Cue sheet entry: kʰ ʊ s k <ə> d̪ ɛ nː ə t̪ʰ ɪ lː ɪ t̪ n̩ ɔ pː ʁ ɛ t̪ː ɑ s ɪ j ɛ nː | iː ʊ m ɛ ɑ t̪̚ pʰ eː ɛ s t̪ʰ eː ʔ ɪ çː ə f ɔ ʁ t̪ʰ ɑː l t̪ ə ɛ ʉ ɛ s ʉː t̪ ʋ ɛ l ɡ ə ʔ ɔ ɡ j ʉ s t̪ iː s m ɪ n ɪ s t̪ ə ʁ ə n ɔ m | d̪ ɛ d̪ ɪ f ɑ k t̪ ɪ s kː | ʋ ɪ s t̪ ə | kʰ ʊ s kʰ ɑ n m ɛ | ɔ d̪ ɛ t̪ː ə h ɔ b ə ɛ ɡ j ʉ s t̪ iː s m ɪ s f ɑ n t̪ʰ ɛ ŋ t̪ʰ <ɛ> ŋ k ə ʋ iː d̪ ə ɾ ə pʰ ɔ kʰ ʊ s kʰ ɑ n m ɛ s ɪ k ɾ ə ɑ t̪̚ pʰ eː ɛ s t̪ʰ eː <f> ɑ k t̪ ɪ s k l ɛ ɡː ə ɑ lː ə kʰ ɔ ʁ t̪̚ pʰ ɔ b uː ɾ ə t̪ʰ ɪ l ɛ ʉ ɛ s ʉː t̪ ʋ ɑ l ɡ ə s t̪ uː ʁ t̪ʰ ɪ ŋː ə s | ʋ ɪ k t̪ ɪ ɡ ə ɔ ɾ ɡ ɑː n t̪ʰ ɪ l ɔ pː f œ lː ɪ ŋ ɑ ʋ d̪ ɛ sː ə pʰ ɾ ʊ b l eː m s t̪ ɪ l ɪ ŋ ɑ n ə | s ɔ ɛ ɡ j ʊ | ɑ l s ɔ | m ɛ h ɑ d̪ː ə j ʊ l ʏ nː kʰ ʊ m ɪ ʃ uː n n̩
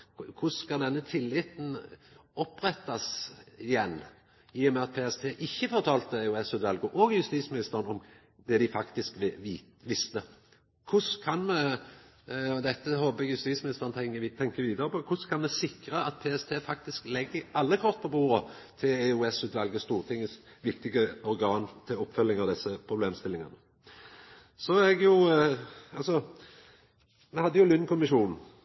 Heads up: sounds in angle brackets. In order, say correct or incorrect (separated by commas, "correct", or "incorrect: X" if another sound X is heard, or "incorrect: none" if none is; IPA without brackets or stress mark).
incorrect: ɑ, correct, correct